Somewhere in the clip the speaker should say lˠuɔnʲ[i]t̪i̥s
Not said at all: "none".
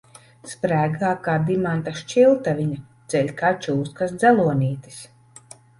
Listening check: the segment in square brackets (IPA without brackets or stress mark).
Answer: iː